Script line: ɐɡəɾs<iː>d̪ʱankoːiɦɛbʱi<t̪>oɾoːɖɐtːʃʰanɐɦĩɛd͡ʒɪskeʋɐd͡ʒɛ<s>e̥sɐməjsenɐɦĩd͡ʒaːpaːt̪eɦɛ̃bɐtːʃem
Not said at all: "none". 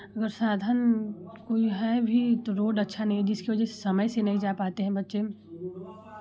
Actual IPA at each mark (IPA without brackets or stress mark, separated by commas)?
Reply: aː, t̪, s